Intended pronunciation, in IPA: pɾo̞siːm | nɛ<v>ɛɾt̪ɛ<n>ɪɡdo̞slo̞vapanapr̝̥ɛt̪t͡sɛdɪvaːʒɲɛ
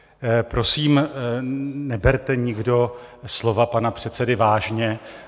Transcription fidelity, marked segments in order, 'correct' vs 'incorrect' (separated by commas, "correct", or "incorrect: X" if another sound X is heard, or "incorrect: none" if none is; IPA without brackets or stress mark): incorrect: b, incorrect: ɲ